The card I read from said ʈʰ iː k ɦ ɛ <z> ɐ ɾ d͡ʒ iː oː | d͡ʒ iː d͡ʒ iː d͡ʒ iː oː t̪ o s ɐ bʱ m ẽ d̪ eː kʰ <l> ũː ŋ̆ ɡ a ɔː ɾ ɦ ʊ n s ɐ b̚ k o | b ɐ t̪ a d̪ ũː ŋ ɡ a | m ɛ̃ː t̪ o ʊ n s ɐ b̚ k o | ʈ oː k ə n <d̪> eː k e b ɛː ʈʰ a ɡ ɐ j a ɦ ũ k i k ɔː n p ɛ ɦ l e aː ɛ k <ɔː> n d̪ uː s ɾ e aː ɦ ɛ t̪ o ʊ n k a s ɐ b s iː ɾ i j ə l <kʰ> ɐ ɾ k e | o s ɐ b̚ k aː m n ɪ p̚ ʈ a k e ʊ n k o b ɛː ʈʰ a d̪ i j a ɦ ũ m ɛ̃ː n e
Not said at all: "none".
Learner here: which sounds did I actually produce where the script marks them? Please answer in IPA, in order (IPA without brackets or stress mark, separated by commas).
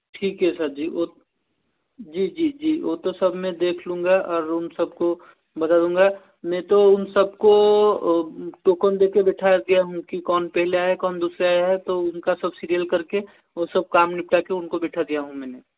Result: s, l, d̪, ɔː, k